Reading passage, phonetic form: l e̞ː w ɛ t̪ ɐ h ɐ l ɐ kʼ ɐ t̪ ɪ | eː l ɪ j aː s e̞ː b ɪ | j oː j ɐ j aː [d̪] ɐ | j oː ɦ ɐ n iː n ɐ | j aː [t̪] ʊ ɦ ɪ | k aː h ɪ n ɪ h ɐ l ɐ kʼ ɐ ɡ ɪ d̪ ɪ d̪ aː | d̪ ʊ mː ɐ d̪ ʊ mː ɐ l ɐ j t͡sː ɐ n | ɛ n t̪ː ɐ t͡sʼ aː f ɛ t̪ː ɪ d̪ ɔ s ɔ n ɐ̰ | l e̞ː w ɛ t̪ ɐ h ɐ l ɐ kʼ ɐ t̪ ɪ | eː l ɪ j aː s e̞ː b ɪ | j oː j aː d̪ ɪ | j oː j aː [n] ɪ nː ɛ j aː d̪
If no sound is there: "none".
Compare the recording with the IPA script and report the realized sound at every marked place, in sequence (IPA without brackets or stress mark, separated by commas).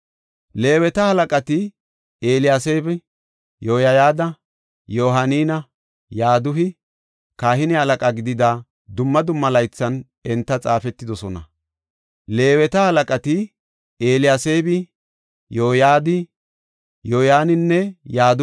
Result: d̪, d̪, n